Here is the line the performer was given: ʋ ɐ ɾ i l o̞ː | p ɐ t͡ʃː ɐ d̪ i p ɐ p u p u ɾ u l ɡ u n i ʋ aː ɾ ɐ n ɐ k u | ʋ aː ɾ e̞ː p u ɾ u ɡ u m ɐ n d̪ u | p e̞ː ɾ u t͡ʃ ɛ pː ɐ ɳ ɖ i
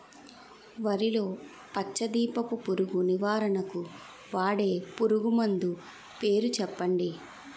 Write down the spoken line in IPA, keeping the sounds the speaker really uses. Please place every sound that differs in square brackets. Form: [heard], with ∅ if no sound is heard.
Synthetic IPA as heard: ʋ ɐ ɾ i l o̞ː | p ɐ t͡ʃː ɐ d̪ [iː] p ɐ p u p u ɾ u [∅] ɡ u n i ʋ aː ɾ ɐ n ɐ k u | ʋ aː [ɽ] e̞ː p u ɾ u ɡ u m ɐ n d̪ u | p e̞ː ɾ u t͡ʃ ɛ pː ɐ ɳ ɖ i